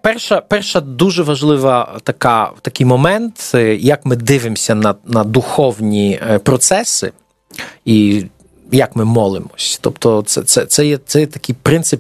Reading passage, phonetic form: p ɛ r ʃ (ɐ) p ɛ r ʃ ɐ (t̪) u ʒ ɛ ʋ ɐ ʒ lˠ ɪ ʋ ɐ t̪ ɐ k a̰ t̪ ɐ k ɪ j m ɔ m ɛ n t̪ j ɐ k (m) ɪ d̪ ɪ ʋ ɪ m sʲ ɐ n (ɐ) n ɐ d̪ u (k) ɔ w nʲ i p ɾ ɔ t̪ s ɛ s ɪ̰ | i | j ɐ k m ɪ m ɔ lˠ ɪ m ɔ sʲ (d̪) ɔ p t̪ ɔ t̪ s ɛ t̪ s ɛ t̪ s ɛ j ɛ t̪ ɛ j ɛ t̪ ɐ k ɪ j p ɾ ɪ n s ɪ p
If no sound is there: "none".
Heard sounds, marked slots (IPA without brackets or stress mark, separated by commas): ɐ, d̪, m, ɐ, x, t̪